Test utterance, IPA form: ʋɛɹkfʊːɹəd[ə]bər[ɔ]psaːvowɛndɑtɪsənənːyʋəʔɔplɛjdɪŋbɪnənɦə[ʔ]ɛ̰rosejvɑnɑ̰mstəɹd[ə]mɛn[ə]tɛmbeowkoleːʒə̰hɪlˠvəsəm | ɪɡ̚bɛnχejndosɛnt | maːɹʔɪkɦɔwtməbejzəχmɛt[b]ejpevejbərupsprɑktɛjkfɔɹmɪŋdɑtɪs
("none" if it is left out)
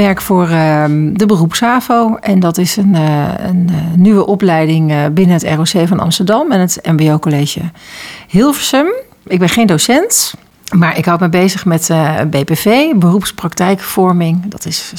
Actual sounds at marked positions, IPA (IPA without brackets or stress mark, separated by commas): ə, u, t, ɑ, ə, b